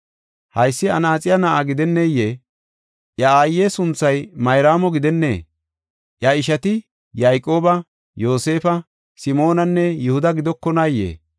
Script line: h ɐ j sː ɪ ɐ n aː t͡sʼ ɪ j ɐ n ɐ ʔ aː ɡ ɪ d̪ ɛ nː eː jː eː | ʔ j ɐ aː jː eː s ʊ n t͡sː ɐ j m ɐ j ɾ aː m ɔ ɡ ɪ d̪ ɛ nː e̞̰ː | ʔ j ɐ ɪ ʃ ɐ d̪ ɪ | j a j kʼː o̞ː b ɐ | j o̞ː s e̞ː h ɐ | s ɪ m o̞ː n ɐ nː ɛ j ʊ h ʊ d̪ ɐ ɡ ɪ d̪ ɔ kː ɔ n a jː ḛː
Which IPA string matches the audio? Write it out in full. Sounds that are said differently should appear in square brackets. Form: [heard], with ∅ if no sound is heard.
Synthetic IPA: h ɐ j sː ɪ ɐ n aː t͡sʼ ɪ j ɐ n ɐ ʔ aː ɡ ɪ d̪ ɛ nː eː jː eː | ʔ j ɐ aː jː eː s ʊ n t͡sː ɐ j m ɐ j ɾ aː m ɔ ɡ ɪ d̪ ɛ nː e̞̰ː | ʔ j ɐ ɪ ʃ ɐ [t̪] ɪ | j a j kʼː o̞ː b ɐ | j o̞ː s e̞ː [f] ɐ | s ɪ m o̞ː n ɐ nː ɛ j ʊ h ʊ d̪ ɐ ɡ ɪ d̪ ɔ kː ɔ n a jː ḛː

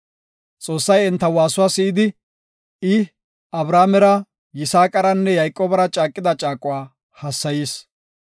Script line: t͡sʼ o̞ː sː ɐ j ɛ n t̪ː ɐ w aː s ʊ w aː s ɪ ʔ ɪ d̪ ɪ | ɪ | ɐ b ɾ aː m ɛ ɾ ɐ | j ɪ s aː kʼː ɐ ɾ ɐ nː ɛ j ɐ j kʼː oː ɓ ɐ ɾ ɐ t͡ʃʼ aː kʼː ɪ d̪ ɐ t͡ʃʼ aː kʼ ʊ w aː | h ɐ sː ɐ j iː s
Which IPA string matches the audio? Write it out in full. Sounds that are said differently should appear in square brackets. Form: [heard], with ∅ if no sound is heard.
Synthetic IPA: t͡sʼ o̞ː sː ɐ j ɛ n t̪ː ɐ w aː s ʊ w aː s ɪ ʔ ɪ d̪ ɪ | ɪ | ɐ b ɾ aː m ɛ ɾ ɐ | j ɪ s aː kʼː ɐ ɾ ɐ nː ɛ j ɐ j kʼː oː [b] ɐ ɾ ɐ t͡ʃʼ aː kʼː ɪ d̪ ɐ t͡ʃʼ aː kʼ ʊ w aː | h ɐ sː ɐ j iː s

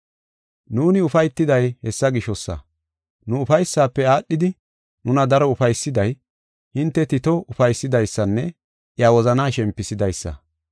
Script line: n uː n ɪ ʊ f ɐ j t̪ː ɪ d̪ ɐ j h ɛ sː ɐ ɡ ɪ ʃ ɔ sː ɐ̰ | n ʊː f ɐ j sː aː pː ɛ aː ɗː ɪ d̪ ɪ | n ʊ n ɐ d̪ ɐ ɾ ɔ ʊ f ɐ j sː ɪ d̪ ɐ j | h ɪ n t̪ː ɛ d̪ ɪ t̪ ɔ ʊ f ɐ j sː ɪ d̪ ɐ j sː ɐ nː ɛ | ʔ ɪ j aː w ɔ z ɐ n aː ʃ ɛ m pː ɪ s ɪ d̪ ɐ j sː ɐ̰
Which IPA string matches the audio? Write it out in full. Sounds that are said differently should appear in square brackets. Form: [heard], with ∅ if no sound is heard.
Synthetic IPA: n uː n ɪ ʊ f ɐ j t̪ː ɪ d̪ ɐ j h ɛ sː ɐ ɡ ɪ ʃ ɔ sː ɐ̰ | n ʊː f ɐ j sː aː pː ɛ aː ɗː ɪ d̪ ɪ | n ʊ n ɐ d̪ ɐ ɾ ɔ ʊ f ɐ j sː ɪ d̪ ɐ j | h ɪ n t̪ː ɛ [t̪] ɪ t̪ ɔ ʊ f ɐ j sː ɪ d̪ ɐ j sː ɐ nː ɛ | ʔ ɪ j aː w ɔ z ɐ n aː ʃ ɛ m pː ɪ s ɪ d̪ ɐ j sː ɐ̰

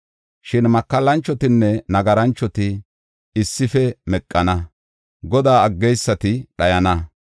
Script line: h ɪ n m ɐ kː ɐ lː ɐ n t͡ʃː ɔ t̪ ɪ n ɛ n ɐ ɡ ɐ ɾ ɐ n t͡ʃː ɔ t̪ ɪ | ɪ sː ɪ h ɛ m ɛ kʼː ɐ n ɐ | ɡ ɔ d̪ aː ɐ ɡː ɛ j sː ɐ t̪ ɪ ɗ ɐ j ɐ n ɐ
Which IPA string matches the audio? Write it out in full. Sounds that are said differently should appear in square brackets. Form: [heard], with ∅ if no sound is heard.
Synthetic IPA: [ʃ] ɪ n m ɐ kː ɐ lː ɐ n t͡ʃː ɔ t̪ ɪ [nː] ɛ n ɐ ɡ ɐ ɾ ɐ n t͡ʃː ɔ t̪ ɪ | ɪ sː ɪ [f] ɛ m ɛ kʼː ɐ n ɐ | ɡ ɔ d̪ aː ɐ ɡː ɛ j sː ɐ t̪ ɪ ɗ ɐ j ɐ n ɐ

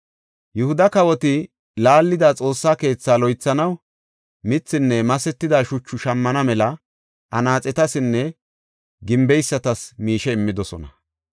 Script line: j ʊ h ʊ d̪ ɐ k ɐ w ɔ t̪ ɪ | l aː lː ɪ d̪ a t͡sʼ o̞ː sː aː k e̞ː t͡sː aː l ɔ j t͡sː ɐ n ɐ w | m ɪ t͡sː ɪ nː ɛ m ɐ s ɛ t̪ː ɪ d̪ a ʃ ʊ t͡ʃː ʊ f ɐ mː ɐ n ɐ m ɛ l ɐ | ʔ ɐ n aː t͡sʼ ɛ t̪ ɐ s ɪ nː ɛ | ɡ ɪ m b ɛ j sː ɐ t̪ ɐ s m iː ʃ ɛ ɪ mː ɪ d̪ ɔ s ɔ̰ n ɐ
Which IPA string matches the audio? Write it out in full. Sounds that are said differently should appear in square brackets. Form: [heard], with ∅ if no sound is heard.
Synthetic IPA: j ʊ h ʊ d̪ ɐ k ɐ w ɔ t̪ ɪ | l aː lː ɪ d̪ a t͡sʼ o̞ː sː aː k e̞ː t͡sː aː l ɔ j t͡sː ɐ n ɐ w | m ɪ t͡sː ɪ nː ɛ m ɐ s ɛ t̪ː ɪ d̪ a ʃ ʊ t͡ʃː ʊ [ʃ] ɐ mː ɐ n ɐ m ɛ l ɐ | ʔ ɐ n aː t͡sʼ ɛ t̪ ɐ s ɪ nː ɛ | ɡ ɪ m b ɛ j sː ɐ t̪ ɐ s m iː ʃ ɛ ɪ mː ɪ d̪ ɔ s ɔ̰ n ɐ

